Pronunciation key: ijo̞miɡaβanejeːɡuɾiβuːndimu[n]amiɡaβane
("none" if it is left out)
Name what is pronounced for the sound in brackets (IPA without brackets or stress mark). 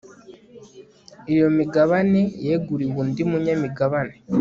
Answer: ɲ